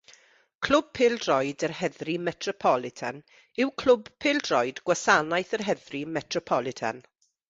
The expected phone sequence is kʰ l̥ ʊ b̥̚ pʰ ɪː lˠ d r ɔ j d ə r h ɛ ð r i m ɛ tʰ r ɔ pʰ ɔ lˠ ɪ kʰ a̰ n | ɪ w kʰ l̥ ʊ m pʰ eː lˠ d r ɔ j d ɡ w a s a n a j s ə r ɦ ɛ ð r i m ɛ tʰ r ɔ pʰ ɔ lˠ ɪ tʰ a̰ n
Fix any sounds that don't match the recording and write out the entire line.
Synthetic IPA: kʰ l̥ ʊ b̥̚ pʰ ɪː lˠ d r ɔ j d ə r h ɛ ð r i m ɛ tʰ r ɔ pʰ ɔ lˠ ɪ tʰ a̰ n | ɪ w kʰ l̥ ʊ b pʰ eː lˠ d r ɔ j d ɡ w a s a n a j θ ə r ɦ ɛ ð r i m ɛ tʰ r ɔ pʰ ɔ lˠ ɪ tʰ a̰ n